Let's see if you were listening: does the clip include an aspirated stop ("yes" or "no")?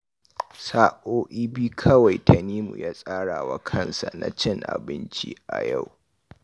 yes